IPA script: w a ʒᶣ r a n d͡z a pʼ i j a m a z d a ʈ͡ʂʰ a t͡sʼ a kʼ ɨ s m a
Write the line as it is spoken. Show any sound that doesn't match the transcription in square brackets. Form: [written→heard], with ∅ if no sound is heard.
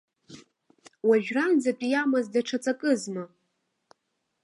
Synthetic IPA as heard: w a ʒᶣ r a n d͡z a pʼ i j a m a z d a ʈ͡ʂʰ a t͡sʼ a kʼ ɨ [s→z] m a